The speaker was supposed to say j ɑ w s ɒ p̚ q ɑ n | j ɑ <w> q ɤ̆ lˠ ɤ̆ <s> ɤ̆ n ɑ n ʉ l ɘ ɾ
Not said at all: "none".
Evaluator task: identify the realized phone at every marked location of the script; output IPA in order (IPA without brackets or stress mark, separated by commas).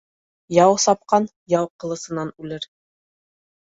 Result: w, s